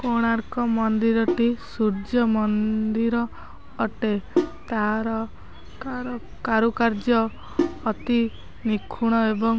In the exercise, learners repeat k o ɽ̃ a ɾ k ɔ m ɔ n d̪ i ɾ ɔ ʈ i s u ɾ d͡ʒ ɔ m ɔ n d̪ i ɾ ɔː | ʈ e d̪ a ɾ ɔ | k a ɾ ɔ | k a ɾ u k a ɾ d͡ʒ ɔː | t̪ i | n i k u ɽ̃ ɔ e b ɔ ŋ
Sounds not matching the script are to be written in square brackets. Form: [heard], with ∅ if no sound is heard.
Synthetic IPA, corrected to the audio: k o ɽ̃ a ɾ k ɔ m ɔ n d̪ i ɾ ɔ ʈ i s u ɾ d͡ʒ ɔ m ɔ n d̪ i ɾ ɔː | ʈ e [t̪] a ɾ ɔ | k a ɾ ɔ | k a ɾ u k a ɾ d͡ʒ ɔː | t̪ i | n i [kʰ] u ɽ̃ ɔ e b ɔ ŋ

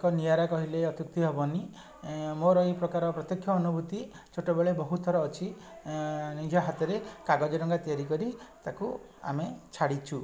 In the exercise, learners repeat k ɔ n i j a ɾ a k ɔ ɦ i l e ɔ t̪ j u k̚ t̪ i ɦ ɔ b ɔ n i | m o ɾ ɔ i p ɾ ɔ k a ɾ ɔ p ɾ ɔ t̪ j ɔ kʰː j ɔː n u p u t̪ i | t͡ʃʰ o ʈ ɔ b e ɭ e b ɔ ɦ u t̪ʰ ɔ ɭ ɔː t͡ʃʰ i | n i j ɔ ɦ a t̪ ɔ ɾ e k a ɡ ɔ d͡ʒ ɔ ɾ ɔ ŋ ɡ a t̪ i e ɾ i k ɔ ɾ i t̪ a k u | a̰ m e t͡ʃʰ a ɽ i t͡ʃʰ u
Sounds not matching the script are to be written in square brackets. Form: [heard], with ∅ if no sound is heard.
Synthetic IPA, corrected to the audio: k ɔ n i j a ɾ a k ɔ ɦ i l e ɔ t̪ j u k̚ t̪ i ɦ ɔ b ɔ n i | m o ɾ ɔ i p ɾ ɔ k a ɾ ɔ p ɾ ɔ t̪ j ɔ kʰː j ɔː n u [b] u t̪ i | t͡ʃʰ o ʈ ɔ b e ɭ e b ɔ ɦ u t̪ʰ ɔ [ɾ] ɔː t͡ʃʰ i | n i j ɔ ɦ a t̪ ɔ ɾ e k a ɡ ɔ d͡ʒ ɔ ɾ ɔ ŋ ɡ a t̪ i [a] ɾ i k ɔ ɾ i t̪ a k u | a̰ m e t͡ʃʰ a ɽ i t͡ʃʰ u

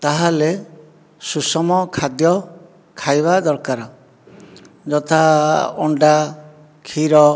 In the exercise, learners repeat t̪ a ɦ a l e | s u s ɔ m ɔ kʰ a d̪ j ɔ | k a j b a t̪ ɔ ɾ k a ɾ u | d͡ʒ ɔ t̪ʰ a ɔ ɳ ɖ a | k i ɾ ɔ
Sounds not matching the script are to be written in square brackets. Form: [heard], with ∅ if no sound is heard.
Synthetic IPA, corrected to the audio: t̪ a ɦ a l e | s u s ɔ m ɔ kʰ a d̪ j ɔ | [kʰ] a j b a [d̪] ɔ ɾ k a ɾ [ɔ] | d͡ʒ ɔ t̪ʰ a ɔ ɳ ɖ a | [kʰ] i ɾ ɔ

